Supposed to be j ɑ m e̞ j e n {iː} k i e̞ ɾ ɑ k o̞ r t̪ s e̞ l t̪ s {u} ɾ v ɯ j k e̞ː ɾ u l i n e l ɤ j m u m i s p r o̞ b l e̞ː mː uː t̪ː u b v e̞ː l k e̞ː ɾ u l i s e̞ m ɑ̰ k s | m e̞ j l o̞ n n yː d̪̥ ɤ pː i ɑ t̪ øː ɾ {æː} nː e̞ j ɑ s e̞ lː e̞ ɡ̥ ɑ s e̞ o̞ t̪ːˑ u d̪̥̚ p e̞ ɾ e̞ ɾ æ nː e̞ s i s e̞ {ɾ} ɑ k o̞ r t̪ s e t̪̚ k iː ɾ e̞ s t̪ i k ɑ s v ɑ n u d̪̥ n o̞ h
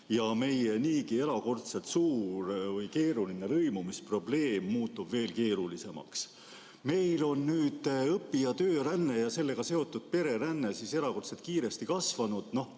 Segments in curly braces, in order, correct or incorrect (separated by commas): correct, incorrect, incorrect, correct